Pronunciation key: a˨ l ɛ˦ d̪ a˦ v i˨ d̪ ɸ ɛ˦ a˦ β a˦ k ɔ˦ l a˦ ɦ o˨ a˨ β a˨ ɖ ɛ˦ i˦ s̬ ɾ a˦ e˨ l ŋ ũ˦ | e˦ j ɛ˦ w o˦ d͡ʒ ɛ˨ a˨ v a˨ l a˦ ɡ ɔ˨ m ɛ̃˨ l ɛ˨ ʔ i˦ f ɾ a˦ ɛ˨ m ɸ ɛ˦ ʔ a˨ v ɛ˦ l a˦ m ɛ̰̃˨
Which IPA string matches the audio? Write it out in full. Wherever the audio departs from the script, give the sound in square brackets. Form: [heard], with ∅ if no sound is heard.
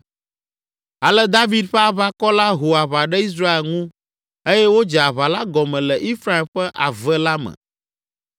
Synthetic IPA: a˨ l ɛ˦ d̪ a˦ v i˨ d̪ ɸ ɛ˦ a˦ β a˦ k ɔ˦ l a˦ ɦ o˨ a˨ β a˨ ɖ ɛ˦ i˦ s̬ ɾ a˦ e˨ l ŋ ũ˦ | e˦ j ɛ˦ w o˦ d͡ʒ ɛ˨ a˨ [β] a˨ l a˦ ɡ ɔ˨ m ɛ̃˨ l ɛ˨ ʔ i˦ f ɾ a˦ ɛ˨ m ɸ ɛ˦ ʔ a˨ v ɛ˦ l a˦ m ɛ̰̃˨